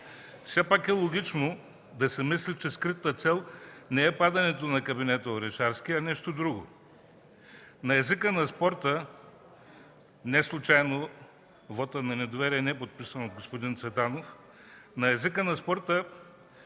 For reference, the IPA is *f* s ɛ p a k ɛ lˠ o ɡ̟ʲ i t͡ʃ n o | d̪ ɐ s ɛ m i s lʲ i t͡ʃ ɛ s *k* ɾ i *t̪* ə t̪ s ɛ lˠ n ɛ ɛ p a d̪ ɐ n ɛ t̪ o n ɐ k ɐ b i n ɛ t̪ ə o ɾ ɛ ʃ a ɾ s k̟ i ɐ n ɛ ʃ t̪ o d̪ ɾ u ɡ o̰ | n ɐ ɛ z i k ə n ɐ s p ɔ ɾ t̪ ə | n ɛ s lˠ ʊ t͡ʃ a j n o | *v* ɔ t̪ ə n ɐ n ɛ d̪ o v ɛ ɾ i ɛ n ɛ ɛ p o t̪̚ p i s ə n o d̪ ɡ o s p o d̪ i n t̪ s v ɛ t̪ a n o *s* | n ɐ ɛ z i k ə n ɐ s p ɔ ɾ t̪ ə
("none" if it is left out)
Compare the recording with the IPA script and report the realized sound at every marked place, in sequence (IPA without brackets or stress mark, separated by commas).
f, k, t̪, v, f